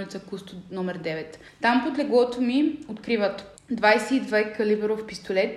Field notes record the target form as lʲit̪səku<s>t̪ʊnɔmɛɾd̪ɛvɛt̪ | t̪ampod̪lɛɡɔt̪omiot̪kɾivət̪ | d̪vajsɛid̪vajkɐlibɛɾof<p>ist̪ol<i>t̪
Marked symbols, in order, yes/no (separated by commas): yes, yes, no